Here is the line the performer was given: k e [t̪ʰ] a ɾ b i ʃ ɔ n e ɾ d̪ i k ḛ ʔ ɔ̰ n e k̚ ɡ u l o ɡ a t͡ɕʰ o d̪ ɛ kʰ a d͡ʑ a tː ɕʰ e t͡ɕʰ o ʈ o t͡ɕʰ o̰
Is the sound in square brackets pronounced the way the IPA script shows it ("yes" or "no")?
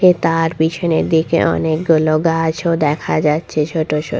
no